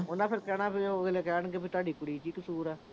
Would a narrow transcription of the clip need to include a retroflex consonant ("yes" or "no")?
yes